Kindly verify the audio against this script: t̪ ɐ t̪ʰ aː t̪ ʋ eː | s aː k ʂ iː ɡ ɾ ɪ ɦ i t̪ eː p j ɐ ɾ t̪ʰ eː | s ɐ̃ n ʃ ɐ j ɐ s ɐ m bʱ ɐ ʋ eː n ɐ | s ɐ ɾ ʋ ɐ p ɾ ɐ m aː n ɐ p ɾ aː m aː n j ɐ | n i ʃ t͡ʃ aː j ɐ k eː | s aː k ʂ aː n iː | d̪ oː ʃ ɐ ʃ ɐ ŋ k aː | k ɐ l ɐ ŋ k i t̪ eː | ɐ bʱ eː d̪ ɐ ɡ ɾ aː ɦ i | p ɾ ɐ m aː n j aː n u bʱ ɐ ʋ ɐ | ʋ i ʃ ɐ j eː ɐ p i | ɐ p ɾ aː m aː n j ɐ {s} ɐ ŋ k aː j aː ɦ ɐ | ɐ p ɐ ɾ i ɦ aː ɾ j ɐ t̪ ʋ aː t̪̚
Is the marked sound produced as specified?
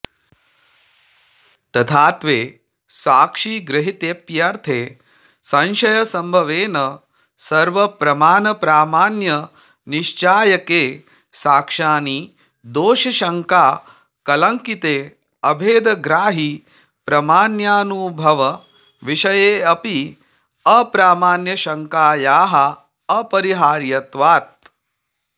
no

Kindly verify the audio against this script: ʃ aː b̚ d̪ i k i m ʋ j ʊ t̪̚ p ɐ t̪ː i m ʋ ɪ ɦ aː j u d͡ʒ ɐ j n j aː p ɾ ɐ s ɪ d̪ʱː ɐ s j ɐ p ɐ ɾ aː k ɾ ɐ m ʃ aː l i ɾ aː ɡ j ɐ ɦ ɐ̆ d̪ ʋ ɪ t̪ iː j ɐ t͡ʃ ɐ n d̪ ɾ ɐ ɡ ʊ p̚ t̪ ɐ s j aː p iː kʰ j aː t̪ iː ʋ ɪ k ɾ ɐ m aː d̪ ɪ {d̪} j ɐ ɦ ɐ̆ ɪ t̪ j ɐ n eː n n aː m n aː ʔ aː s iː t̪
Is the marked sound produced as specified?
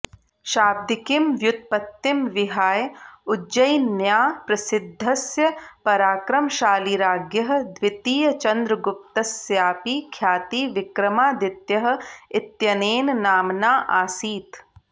no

